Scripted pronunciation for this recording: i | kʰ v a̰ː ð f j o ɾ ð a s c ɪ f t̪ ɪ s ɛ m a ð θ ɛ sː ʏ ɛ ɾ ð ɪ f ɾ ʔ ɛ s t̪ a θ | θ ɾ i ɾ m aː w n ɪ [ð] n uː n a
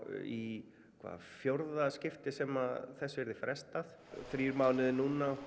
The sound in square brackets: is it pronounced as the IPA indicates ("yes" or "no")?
yes